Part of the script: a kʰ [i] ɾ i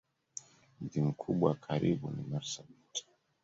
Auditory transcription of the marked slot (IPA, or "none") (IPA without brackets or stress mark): a